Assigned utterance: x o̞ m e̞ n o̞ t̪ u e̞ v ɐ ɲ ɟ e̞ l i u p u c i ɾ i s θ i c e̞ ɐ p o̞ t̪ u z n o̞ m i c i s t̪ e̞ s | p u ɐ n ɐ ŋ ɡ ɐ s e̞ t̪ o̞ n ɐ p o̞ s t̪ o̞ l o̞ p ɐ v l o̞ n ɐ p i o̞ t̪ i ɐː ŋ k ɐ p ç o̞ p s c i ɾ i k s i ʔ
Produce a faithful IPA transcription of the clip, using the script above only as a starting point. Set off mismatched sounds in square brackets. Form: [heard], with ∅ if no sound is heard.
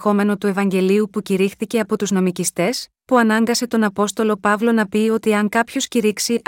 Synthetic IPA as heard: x o̞ m e̞ n o̞ t̪ u e̞ v ɐ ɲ ɟ e̞ l i u p u c i ɾ i [x] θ i c e̞ ɐ p o̞ t̪ u z n o̞ m i c i s t̪ e̞ s | p u ɐ n ɐ ŋ ɡ ɐ s e̞ t̪ o̞ n ɐ p o̞ s t̪ o̞ l o̞ p ɐ v l o̞ n ɐ p i o̞ t̪ i [ɐ] ŋ k ɐ p ç o̞ [∅] s c i ɾ i k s i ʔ